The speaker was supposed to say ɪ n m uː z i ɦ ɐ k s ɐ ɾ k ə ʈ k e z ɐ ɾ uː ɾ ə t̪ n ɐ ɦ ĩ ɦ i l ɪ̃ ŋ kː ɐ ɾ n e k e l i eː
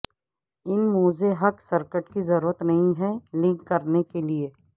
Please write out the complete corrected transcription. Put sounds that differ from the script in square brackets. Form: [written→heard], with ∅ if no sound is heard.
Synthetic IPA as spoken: ɪ n m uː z [i→e] ɦ ɐ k s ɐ ɾ k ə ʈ k [e→i] z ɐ ɾ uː ɾ ə t̪ n ɐ ɦ ĩ ɦ [i→ɛ] l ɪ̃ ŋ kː ɐ ɾ n e k e l i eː